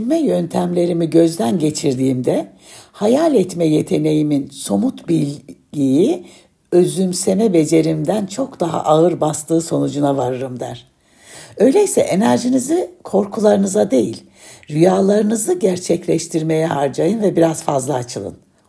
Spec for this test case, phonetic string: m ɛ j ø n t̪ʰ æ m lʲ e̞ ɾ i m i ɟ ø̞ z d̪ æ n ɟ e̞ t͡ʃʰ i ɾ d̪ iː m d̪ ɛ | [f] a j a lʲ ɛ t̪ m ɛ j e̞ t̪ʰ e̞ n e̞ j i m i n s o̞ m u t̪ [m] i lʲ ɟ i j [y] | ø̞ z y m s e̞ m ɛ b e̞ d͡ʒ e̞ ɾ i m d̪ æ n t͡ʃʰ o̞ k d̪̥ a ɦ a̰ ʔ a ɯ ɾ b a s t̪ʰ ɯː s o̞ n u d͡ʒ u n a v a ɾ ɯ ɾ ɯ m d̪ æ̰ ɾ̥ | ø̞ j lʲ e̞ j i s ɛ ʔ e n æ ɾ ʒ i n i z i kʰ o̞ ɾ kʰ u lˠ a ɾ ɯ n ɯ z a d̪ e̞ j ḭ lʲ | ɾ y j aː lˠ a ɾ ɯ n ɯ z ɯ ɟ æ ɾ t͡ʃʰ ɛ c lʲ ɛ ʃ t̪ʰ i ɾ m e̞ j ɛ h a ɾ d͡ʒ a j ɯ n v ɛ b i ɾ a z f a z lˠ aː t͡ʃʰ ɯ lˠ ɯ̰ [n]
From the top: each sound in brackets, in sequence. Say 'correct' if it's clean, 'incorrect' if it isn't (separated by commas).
incorrect, incorrect, incorrect, correct